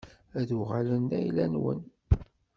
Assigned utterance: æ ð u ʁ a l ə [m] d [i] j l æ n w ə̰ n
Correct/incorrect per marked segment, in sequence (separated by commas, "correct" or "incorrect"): incorrect, incorrect